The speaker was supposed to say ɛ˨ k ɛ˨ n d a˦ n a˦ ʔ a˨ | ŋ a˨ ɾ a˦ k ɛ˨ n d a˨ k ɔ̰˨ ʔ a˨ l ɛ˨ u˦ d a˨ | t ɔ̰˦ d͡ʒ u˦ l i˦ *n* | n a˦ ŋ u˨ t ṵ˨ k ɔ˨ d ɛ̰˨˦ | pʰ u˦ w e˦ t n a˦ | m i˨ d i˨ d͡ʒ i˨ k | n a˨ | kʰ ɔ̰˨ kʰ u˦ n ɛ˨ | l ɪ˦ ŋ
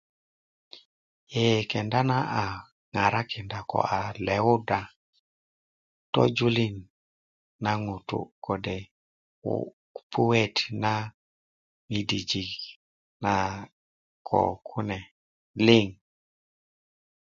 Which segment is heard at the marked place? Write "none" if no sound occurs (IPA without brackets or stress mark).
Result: n